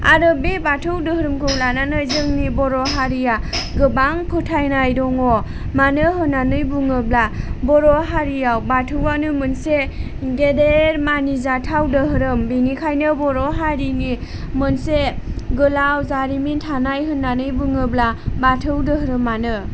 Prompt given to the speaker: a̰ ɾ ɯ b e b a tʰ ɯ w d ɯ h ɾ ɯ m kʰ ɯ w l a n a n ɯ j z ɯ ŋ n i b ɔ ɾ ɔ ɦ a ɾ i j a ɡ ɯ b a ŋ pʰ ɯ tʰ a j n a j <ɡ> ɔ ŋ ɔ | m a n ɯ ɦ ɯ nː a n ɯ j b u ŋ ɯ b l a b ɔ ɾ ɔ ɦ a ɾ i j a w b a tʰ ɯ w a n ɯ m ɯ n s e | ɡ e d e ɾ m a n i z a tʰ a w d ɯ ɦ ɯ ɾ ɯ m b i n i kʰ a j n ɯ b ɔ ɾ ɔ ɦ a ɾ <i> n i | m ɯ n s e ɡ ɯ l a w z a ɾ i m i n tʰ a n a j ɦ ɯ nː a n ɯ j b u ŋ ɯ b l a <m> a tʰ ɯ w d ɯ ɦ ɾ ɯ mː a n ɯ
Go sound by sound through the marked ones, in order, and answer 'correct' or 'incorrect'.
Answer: incorrect: d, correct, incorrect: b

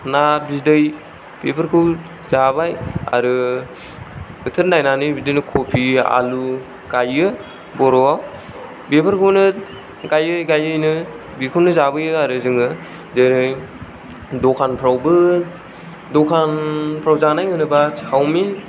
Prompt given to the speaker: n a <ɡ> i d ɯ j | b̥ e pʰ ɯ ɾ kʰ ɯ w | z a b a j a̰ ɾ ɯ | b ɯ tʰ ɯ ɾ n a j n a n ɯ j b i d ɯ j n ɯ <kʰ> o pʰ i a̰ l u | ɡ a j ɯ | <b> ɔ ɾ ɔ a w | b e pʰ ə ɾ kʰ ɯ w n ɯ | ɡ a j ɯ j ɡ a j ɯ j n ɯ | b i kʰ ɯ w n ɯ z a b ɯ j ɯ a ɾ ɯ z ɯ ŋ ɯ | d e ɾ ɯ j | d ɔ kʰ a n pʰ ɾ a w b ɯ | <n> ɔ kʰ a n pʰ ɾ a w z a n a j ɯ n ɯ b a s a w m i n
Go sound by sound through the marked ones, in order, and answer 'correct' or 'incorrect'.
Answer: incorrect: b, correct, correct, incorrect: d

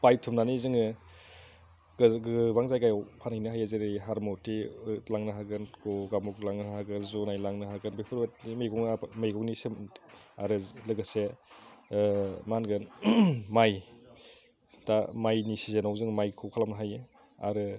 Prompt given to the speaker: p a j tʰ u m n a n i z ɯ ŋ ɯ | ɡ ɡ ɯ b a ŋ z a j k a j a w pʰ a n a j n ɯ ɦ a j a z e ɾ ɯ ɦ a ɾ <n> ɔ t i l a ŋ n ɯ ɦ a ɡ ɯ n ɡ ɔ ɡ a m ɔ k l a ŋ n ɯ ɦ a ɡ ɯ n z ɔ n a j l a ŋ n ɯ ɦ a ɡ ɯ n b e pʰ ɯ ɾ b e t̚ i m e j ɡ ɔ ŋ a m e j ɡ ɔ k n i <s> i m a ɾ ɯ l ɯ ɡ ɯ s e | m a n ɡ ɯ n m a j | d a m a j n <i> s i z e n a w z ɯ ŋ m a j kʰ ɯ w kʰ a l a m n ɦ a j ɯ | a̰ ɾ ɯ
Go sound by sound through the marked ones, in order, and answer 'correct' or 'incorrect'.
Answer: incorrect: m, correct, correct

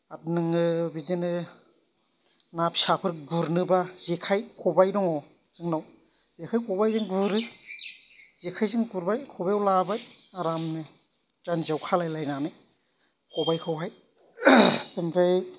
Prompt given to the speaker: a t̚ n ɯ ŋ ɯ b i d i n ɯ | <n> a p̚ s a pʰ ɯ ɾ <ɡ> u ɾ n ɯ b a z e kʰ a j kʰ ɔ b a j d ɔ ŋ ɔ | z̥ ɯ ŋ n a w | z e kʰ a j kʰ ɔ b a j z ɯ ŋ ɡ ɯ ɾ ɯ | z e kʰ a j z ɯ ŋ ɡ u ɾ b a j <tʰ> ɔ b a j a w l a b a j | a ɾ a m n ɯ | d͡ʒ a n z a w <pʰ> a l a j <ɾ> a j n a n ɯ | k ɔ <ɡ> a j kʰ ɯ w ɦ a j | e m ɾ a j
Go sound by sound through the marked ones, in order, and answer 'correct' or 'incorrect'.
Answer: correct, correct, incorrect: kʰ, incorrect: kʰ, incorrect: l, incorrect: b

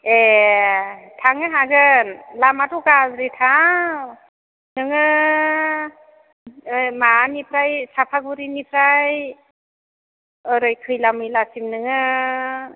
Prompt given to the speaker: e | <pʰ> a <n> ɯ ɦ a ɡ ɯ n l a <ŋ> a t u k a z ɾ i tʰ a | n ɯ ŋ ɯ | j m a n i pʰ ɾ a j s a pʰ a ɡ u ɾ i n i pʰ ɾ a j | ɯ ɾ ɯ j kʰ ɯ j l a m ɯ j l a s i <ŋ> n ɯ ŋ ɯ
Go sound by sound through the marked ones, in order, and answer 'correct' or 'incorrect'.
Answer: incorrect: tʰ, incorrect: ŋ, incorrect: m, incorrect: m

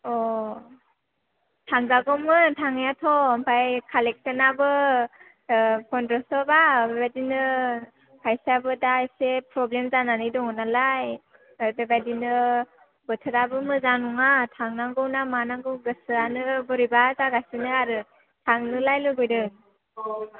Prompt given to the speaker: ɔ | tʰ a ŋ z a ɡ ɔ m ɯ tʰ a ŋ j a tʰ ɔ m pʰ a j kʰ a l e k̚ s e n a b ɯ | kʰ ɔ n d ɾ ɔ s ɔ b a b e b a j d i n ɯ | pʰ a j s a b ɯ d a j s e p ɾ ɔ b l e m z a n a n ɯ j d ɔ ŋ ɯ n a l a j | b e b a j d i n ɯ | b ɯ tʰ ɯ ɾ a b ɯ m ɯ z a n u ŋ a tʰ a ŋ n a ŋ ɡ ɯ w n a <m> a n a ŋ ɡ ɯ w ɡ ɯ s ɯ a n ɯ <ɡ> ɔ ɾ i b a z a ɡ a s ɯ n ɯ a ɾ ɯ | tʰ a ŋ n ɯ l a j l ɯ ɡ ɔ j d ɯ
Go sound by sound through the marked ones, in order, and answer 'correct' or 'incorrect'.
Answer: correct, incorrect: b

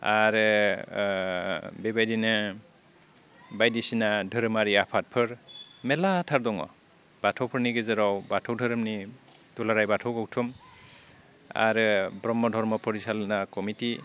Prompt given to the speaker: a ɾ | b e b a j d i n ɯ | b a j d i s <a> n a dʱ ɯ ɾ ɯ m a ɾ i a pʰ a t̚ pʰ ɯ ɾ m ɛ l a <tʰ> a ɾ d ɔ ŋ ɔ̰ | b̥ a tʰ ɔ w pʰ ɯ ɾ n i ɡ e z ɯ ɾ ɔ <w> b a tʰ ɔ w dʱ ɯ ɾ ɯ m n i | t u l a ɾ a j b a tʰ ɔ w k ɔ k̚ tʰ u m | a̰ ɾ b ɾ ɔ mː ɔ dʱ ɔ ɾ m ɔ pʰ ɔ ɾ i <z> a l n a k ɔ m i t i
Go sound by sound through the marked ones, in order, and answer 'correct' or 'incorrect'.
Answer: incorrect: i, correct, correct, incorrect: s

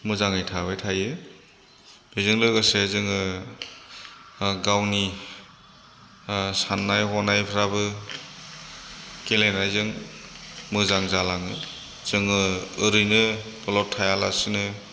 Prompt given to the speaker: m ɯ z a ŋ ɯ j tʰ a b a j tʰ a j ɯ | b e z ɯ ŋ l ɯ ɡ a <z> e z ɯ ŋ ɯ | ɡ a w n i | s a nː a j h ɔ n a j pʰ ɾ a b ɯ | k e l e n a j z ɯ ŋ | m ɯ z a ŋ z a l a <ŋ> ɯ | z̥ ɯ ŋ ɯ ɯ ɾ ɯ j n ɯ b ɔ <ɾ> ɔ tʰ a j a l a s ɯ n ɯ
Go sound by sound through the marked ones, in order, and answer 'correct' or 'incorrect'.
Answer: incorrect: s, correct, incorrect: l

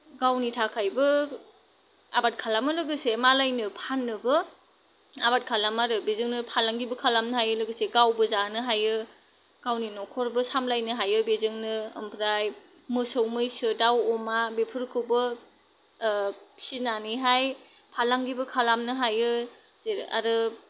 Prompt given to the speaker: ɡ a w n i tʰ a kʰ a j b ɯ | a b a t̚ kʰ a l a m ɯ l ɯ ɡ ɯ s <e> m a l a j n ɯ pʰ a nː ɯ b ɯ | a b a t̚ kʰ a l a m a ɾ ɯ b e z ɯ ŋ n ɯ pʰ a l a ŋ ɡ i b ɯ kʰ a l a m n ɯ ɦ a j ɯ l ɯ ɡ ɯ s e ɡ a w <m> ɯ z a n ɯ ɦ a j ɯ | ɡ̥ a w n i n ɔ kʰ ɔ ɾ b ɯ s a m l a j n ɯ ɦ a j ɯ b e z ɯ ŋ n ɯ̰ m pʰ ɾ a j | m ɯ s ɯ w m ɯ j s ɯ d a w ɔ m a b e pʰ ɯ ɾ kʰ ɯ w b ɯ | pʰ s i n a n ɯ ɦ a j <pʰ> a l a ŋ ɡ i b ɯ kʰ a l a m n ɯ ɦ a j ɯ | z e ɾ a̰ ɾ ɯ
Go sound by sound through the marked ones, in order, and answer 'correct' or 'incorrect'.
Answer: correct, incorrect: b, correct

